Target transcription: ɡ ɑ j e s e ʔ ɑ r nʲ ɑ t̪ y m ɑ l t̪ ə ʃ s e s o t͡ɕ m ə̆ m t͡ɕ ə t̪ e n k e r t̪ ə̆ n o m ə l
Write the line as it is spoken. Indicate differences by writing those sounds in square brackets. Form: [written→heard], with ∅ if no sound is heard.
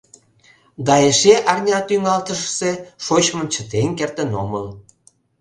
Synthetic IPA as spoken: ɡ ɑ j e [s→ʃ] e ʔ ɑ r nʲ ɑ t̪ y [m→ŋ] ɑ l t̪ ə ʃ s e [s→ʃ] o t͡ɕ m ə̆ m t͡ɕ ə t̪ e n k e r t̪ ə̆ n o m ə l